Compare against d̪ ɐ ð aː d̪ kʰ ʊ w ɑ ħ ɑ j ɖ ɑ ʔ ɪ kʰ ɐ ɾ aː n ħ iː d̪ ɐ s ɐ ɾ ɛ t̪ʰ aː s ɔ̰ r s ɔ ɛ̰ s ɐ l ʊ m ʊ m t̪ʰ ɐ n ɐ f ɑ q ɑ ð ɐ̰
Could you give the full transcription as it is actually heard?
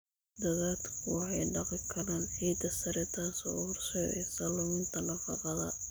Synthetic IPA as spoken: d̪ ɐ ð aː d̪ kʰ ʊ w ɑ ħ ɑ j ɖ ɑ q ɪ kʰ ɐ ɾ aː n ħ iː d̪ ɐ s ɐ ɾ ɛ t̪ʰ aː s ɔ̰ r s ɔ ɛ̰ s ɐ l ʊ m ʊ n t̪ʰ ɐ n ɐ f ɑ q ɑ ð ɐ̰